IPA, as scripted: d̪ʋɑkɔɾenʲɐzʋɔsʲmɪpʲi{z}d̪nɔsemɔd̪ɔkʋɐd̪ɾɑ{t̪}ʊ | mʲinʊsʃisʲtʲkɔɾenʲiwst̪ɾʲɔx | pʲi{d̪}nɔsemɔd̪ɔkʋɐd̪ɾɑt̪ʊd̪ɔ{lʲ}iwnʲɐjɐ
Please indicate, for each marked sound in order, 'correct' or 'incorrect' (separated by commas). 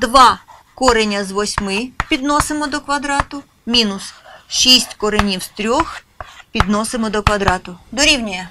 incorrect, correct, correct, incorrect